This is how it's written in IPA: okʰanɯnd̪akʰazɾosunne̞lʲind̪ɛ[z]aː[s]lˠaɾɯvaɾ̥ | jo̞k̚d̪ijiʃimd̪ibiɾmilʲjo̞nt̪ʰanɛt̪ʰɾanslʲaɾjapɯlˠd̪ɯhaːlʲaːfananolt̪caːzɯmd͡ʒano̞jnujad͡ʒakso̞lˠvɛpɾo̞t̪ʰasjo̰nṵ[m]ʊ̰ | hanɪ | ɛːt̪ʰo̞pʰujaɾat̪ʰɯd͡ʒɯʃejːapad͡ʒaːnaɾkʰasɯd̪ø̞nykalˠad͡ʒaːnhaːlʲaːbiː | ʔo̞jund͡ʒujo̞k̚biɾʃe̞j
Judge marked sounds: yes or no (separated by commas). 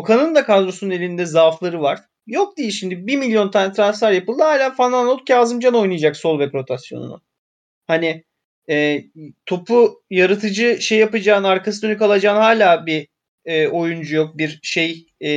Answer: yes, no, no